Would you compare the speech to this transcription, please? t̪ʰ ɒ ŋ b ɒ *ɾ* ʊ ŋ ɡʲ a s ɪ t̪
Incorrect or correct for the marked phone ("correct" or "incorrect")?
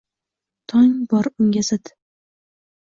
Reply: correct